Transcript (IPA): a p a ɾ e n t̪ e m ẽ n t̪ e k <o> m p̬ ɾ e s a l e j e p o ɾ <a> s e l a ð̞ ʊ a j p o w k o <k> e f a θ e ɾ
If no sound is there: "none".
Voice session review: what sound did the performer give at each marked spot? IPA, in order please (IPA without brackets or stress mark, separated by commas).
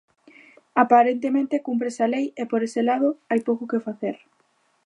u, e, k